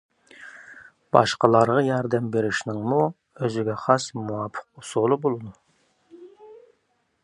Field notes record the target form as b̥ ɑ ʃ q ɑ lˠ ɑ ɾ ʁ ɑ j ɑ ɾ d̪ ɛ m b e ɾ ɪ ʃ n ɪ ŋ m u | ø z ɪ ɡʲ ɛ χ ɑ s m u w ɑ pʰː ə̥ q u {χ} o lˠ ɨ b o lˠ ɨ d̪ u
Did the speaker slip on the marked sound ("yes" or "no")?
yes